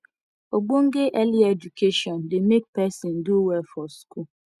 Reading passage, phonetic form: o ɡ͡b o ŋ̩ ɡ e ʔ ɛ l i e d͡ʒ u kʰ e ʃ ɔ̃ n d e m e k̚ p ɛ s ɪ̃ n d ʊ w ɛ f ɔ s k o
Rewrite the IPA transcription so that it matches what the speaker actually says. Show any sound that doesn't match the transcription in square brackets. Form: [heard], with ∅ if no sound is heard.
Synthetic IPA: o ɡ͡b o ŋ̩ ɡ e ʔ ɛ l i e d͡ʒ u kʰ e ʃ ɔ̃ n d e m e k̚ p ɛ s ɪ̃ n d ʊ w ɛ f ɔ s k [u]